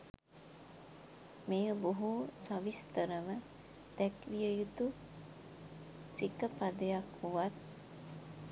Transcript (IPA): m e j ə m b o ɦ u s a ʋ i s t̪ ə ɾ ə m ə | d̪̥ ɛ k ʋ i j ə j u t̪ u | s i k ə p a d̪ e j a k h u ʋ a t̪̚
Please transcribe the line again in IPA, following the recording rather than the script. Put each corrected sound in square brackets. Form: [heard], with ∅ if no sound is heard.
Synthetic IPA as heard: m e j ə [∅] b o ɦ u s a ʋ i s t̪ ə ɾ ə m ə | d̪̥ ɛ k ʋ i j ə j u t̪ u | s i k ə p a d̪ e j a k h u ʋ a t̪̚

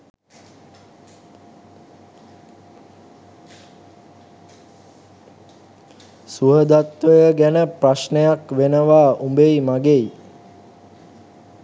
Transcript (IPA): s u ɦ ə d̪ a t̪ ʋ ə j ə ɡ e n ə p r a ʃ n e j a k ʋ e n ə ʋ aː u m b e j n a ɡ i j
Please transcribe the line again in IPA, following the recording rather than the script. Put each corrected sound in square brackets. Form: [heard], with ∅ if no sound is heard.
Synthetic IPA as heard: s u ɦ ə d̪ a t̪ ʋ ə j ə ɡ [æ] n ə p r a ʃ n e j a k ʋ e n ə ʋ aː u m b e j [m] a ɡ [e] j

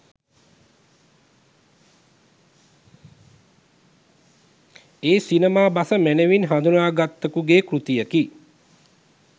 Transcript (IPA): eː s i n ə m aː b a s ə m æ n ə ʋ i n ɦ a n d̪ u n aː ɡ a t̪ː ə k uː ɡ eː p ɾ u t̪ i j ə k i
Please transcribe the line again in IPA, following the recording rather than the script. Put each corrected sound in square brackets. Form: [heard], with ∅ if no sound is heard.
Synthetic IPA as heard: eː s i n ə m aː b a s ə m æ n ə ʋ i n ɦ a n d̪ u n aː ɡ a t̪ː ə k [u] ɡ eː [k] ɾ u t̪ i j ə k i

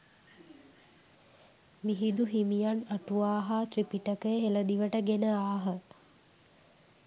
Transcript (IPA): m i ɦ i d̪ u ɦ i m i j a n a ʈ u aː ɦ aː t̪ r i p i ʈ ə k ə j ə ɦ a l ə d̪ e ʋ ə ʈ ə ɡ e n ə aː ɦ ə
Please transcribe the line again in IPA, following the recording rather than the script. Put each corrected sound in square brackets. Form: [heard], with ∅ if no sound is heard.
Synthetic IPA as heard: m i ɦ i d̪ u ɦ i m i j a n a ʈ u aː ɦ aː t̪ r i p i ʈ ə k ə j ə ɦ [e] l ə d̪ [i] ʋ ə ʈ ə ɡ e n ə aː ɦ ə

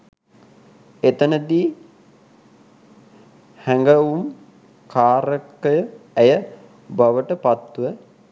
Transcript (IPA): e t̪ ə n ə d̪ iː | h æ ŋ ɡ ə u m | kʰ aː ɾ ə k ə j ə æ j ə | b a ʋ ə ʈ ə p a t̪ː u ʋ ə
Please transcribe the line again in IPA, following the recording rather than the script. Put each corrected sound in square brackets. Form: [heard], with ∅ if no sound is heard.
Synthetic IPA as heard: e t̪ ə n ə d̪ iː | h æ ŋ ɡ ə u m | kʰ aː ɾ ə k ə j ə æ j ə | b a ʋ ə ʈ ə p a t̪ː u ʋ ə

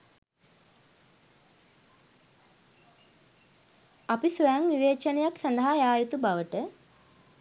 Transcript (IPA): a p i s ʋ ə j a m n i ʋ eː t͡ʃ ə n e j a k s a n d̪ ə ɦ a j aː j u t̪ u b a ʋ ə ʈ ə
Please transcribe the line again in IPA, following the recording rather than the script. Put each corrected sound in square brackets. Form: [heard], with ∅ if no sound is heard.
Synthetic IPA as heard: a p i s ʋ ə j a [ŋ] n i ʋ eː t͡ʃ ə n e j a k s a n d̪ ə ɦ a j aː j u t̪ u b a ʋ ə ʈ ə

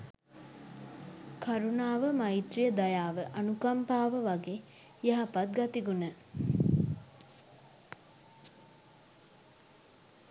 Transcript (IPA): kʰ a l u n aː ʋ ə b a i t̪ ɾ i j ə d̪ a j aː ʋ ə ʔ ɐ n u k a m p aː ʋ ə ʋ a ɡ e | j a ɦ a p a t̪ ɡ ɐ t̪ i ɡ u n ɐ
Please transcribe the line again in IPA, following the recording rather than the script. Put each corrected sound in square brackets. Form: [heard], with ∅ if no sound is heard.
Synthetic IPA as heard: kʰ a [ɾ] u n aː ʋ ə [m] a i t̪ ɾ i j ə d̪ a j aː ʋ ə ʔ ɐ n u k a m p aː ʋ ə ʋ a ɡ e | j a ɦ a p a t̪ ɡ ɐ t̪ i ɡ u n [ə]

